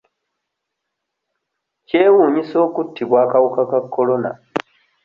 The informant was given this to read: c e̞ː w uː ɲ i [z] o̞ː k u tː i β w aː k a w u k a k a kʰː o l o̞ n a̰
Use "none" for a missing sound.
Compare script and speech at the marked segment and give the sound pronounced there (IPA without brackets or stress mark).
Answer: s